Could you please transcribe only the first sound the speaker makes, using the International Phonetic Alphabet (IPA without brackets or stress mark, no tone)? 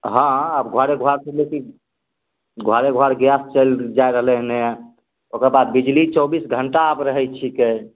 ɦ